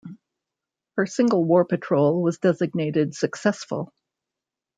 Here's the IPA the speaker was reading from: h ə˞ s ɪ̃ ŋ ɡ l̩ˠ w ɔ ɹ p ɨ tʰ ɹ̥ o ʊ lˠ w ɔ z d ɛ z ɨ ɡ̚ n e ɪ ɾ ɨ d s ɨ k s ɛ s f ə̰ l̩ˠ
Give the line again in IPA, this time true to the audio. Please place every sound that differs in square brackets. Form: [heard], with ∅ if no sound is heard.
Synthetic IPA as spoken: h ə˞ s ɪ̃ ŋ ɡ l̩ˠ w ɔ ɹ p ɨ tʰ ɹ̥ o ʊ lˠ w [ʌ] z d ɛ z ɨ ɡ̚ n e ɪ ɾ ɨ d s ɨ k s ɛ s f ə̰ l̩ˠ